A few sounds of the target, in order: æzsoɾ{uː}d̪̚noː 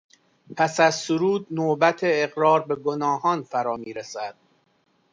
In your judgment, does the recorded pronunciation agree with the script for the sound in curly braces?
yes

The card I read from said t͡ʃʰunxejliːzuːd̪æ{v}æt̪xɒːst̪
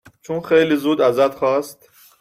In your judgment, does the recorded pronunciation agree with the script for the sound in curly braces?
no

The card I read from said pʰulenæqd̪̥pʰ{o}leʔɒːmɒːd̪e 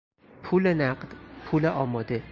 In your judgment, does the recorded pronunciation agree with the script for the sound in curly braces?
no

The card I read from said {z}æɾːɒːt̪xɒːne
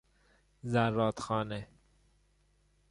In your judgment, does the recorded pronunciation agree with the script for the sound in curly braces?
yes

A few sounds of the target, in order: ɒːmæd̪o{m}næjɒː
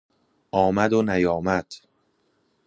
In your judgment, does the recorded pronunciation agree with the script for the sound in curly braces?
no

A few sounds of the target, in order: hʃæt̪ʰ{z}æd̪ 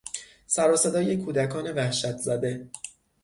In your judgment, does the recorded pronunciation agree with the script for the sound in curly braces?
yes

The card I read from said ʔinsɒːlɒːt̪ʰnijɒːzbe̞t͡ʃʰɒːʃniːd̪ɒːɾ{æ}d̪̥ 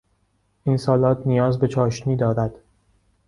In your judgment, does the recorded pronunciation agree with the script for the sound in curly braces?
yes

